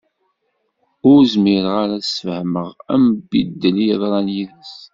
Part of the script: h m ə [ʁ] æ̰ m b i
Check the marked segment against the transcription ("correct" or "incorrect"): correct